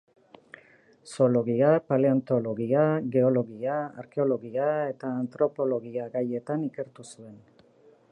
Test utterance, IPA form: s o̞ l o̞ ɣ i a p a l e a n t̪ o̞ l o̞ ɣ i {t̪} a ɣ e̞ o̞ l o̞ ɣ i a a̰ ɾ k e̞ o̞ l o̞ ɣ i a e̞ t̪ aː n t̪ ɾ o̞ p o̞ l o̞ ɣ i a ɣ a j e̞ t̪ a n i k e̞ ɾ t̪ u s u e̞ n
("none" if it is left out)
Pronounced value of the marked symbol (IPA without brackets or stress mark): none